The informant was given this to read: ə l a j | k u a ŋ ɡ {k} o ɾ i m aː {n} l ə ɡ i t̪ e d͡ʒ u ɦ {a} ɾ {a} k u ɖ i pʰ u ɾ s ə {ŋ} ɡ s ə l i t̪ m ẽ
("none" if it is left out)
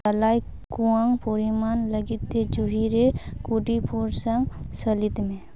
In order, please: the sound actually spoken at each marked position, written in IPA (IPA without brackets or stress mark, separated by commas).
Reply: p, n, i, e, ŋ